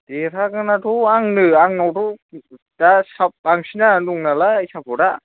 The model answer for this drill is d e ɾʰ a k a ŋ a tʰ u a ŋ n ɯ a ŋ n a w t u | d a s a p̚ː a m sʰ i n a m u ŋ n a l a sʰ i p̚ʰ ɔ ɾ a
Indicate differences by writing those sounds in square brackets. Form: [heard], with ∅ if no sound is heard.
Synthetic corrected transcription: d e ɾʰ a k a [n] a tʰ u a ŋ n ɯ a ŋ n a w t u | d a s a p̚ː a [ŋ] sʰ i n a [n] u ŋ n a l a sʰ [a] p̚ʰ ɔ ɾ a